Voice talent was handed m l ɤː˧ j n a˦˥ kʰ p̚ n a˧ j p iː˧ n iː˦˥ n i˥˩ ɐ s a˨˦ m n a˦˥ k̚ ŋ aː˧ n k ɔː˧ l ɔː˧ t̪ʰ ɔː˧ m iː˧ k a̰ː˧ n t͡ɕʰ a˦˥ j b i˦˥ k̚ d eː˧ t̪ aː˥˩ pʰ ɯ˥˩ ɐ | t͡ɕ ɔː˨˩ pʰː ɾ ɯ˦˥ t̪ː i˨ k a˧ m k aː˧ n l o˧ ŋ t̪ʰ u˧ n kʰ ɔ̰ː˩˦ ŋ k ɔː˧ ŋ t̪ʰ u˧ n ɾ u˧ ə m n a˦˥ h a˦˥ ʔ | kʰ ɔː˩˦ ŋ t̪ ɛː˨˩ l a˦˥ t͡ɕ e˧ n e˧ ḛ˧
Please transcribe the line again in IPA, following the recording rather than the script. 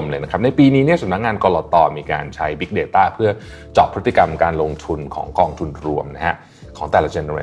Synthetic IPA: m l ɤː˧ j n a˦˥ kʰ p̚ n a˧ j p iː˧ n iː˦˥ n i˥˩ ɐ s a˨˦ m n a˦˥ k̚ ŋ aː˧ n k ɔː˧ l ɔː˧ t̪ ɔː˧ m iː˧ k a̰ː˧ n t͡ɕʰ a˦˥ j b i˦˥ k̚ d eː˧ t̪ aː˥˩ pʰ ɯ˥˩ ɐ | t͡ɕ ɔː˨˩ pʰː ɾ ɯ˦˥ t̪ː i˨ k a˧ m k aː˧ n l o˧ ŋ t̪ʰ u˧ n kʰ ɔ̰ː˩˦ ŋ k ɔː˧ ŋ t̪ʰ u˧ n ɾ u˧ ə m n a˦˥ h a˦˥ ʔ | kʰ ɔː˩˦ ŋ t̪ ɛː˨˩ l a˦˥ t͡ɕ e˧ n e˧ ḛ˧